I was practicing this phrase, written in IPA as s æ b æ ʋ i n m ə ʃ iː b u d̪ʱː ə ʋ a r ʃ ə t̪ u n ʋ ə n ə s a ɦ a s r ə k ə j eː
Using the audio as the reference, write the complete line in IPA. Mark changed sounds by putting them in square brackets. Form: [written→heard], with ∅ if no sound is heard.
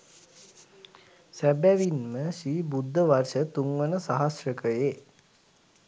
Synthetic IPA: s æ b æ ʋ i n m ə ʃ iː b u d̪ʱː ə ʋ a r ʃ ə t̪ u [n→ŋ] ʋ ə n ə s a ɦ a s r ə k ə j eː